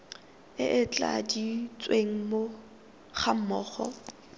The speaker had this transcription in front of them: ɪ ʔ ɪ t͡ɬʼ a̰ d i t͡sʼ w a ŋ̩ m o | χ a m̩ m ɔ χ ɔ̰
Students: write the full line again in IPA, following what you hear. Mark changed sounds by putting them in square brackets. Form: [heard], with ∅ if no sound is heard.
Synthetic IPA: ɪ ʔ ɪ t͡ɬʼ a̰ d i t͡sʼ w [e] ŋ̩ m o | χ a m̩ m [ɔː] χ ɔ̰